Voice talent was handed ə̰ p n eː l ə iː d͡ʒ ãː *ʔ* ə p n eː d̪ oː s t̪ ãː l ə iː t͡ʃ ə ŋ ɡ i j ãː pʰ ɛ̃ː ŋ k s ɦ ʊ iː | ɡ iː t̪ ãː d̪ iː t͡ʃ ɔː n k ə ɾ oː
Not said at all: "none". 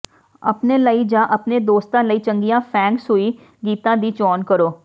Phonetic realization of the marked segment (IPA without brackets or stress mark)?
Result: ʔ